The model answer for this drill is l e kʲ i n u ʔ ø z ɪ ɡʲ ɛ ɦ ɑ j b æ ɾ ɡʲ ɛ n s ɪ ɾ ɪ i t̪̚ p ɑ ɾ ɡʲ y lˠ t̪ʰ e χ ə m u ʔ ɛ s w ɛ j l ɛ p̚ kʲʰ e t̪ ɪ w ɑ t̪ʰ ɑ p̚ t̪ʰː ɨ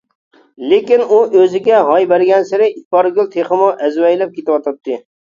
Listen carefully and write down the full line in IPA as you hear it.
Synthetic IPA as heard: l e kʲ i n u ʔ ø z ɪ ɡʲ ɛ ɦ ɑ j b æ ɾ ɡʲ ɛ n s ɪ ɾ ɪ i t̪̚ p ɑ ɾ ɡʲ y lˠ t̪ʰ e χ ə m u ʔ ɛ z w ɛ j l ɛ p̚ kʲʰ e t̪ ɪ w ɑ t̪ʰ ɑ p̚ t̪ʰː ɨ